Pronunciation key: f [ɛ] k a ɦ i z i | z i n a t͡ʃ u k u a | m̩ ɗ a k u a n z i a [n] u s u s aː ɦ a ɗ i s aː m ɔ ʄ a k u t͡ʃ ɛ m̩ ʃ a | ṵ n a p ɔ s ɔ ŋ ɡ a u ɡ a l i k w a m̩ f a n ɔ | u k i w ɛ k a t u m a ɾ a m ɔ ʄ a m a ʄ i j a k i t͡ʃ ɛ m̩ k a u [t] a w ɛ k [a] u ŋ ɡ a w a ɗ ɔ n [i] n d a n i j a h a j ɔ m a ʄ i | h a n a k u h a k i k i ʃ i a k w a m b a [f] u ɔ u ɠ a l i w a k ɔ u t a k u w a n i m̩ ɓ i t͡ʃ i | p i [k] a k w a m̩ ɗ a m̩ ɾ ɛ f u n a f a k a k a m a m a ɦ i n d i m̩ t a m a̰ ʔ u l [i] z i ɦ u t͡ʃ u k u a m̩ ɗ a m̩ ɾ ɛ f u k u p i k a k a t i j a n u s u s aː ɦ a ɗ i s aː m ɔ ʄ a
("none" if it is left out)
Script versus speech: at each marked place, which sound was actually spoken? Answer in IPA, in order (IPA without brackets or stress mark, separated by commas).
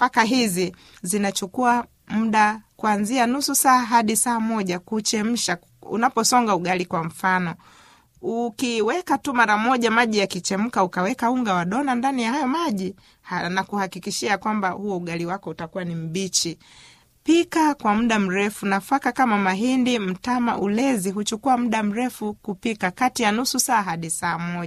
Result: a, n, k, a, a, h, k, ɛ